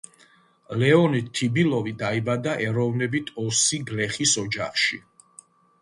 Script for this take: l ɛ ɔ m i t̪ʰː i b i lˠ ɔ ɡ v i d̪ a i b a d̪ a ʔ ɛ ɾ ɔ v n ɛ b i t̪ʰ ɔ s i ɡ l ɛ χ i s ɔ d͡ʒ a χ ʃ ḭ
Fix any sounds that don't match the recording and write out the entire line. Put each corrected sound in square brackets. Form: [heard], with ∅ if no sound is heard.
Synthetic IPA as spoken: l ɛ ɔ [n] i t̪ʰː i b i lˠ ɔ [∅] v i d̪ a i b a d̪ a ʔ ɛ ɾ ɔ v n ɛ b i t̪ʰ ɔ s i ɡ l ɛ χ i s ɔ d͡ʒ a χ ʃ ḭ